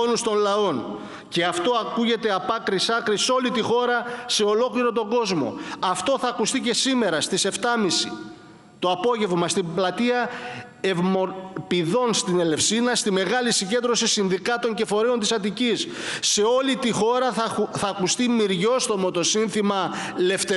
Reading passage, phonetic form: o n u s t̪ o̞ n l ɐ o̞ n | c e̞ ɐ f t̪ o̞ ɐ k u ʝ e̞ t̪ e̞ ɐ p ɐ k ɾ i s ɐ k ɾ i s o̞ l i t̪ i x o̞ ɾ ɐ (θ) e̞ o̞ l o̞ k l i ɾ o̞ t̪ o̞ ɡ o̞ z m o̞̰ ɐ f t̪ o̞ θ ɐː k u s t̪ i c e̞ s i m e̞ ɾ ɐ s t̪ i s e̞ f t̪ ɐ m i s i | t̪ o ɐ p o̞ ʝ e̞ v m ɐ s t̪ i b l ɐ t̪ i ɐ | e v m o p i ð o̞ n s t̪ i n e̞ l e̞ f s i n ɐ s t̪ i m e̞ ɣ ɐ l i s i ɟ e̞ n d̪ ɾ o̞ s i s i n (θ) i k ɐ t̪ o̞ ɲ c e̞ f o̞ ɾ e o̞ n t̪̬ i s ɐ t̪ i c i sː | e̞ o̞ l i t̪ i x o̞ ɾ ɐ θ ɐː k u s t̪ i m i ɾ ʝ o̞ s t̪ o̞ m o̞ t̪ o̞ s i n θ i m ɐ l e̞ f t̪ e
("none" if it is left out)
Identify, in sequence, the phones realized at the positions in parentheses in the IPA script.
s, ð

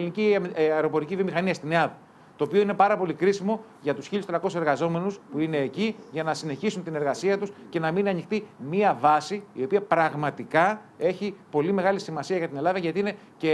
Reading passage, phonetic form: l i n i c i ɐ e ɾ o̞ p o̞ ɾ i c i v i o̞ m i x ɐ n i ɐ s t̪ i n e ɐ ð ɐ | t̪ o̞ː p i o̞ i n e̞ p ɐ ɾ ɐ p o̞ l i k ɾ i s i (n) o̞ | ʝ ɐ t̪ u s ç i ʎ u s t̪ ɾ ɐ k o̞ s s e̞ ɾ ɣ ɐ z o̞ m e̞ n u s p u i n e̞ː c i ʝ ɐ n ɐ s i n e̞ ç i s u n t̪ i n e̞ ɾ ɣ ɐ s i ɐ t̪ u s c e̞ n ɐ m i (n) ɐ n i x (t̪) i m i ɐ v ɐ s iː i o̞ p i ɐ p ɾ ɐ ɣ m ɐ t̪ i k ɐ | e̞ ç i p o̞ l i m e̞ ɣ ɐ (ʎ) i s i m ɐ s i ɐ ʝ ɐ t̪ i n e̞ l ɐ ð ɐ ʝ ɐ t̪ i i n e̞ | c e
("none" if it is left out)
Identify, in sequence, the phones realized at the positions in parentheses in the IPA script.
m, n, t̪, l

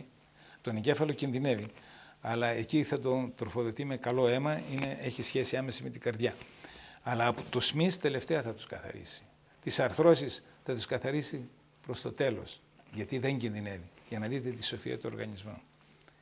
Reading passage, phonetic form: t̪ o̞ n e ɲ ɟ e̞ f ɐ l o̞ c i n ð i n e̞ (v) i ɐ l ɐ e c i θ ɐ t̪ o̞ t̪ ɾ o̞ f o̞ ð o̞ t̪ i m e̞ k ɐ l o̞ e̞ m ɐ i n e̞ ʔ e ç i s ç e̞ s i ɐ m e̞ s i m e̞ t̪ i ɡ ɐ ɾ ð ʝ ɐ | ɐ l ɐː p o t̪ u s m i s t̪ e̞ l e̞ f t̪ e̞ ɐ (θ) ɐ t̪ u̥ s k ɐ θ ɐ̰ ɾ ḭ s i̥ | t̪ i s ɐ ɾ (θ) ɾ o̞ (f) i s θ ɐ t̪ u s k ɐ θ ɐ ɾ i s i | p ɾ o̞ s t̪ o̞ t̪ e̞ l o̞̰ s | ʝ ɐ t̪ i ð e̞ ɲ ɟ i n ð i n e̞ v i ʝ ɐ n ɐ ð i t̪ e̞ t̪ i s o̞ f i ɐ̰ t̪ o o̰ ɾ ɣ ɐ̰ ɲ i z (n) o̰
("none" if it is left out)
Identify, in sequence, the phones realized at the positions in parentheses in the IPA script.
v, θ, θ, s, m

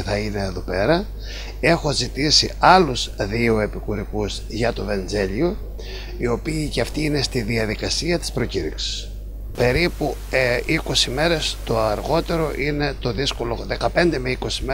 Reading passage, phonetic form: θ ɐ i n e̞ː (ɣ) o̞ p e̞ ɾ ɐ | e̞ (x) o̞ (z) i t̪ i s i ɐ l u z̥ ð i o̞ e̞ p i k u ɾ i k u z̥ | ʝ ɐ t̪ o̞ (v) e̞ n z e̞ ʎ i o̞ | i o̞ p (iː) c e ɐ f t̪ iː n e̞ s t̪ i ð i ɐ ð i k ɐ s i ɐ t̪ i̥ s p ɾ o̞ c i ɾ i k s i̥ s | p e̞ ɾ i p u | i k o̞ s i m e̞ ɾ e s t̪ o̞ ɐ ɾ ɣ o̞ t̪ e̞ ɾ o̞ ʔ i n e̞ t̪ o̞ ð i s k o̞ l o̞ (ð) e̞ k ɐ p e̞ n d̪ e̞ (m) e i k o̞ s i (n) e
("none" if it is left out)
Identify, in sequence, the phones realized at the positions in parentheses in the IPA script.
ð, x, z, v, iː, ð, m, m

